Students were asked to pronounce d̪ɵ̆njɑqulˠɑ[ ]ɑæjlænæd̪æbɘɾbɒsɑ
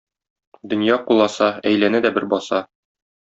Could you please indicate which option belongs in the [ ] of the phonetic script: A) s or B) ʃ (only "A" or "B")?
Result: A